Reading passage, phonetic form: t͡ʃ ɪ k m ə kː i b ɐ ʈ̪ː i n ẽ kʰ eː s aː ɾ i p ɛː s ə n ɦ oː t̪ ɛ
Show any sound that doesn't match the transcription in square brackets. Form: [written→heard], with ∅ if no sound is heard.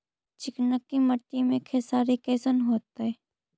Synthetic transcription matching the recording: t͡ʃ ɪ k [m→n] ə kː i [b→m] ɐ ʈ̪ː i [n→m] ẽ kʰ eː s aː ɾ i [p→k] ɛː s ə n ɦ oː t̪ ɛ

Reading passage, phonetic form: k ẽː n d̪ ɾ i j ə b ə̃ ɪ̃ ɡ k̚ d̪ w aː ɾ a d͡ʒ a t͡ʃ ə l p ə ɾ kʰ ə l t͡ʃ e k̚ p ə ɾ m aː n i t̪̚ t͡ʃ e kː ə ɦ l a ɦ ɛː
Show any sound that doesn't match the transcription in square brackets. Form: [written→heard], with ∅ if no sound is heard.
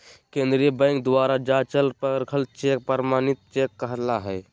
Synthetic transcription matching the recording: k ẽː n d̪ ɾ i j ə b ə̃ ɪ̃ [ɡ→ŋ] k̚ d̪ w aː ɾ a d͡ʒ a t͡ʃ ə l p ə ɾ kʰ ə l t͡ʃ e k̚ p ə ɾ m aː n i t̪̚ t͡ʃ e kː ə ɦ l a ɦ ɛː

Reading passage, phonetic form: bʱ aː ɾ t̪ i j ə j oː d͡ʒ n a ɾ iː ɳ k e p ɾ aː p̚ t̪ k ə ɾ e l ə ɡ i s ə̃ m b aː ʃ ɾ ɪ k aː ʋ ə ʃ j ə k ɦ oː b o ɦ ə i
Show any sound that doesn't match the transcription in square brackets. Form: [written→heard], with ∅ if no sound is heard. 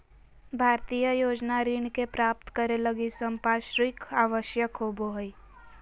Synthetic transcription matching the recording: bʱ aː ɾ t̪ i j ə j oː d͡ʒ n a ɾ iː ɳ k e p ɾ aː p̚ t̪ k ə ɾ e l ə ɡ i s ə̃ m [b→p] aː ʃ ɾ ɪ k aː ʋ ə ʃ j ə k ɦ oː b o ɦ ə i

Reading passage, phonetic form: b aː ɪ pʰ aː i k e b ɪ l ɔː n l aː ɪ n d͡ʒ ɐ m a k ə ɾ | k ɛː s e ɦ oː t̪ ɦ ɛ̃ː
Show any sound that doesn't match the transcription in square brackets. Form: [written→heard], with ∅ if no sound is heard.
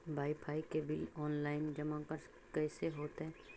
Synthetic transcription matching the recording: b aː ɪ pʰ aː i k e b ɪ l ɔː n l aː ɪ n d͡ʒ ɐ m a k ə ɾ | k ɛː s e ɦ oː t̪ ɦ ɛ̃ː

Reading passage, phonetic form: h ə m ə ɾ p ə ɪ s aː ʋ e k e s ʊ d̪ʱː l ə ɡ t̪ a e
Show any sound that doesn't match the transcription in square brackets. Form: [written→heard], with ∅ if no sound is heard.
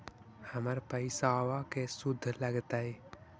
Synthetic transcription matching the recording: h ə m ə ɾ p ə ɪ s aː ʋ [e→a] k e s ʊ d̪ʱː l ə ɡ t̪ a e

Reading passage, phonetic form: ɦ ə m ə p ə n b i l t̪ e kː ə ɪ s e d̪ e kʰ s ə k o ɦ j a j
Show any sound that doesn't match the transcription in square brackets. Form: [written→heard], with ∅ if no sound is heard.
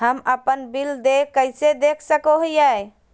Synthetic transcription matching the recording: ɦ ə m ə p ə n b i l [t̪→d̪] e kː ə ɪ s e d̪ e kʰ s ə k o ɦ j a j

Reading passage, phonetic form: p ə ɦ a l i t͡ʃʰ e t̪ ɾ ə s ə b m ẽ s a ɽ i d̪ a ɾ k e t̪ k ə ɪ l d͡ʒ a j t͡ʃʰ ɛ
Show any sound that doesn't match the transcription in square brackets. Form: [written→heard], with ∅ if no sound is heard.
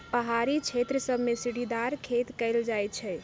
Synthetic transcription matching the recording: p ə ɦ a [l→ɾ] i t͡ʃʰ e t̪ ɾ ə s ə b m [ẽ→e] s [a→i] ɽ i d̪ a ɾ [k→kʰ] e t̪ k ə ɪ l d͡ʒ a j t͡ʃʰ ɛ

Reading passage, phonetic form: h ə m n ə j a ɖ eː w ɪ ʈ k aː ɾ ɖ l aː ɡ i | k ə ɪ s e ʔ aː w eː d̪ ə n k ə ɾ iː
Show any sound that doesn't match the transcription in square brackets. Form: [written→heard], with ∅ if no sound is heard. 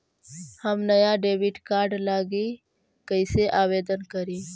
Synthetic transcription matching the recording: h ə m n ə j a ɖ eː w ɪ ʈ k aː ɾ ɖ l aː ɡ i | k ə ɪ s e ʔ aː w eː d̪ ə n k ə ɾ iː

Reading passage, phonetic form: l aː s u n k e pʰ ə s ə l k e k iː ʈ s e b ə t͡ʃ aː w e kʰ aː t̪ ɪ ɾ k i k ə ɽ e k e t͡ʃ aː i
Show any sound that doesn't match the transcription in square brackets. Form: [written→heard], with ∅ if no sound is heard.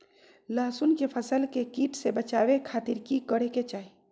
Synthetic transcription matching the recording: l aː s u n k e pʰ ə s ə l k e k iː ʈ s e b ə t͡ʃ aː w e kʰ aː t̪ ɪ ɾ k i k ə ɽ e k e t͡ʃ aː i

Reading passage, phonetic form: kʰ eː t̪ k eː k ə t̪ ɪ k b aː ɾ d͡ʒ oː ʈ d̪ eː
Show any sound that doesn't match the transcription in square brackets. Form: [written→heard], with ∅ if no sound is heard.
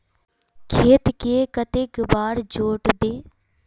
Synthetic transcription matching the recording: kʰ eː t̪ k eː k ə t̪ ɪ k b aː ɾ d͡ʒ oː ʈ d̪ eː

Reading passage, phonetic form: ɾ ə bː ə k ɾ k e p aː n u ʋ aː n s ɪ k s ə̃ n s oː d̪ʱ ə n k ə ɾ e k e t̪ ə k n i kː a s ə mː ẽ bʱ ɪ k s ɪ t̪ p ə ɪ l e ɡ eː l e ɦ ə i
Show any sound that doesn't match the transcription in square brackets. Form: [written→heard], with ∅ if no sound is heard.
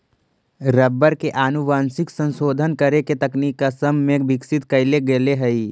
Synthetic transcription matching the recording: ɾ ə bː ə [k→∅] ɾ k e [p→ʔ] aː n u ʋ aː n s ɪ k s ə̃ n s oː d̪ʱ ə n k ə ɾ e k e t̪ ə k n i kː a s ə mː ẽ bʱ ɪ k s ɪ t̪ [p→k] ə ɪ l e ɡ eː l e ɦ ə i

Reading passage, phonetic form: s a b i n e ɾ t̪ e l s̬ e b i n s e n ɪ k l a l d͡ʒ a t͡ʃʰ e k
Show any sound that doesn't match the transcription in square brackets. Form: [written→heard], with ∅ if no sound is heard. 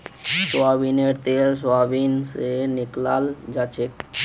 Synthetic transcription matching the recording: s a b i n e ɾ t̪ e l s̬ [e→a] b i n s e n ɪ k l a l d͡ʒ a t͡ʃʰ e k

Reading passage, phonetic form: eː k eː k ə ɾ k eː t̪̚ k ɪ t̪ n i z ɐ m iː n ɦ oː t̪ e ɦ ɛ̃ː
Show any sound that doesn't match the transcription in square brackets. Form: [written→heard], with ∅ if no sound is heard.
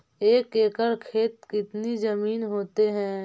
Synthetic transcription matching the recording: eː k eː k ə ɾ [k→kʰ] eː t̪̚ k ɪ t̪ n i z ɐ m iː n ɦ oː t̪ e ɦ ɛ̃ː

